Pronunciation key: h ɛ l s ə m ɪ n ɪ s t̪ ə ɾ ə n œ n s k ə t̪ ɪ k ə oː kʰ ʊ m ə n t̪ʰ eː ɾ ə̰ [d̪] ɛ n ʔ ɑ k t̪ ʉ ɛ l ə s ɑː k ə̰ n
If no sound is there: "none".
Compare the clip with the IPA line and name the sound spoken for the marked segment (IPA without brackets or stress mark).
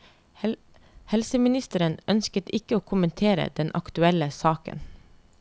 d̪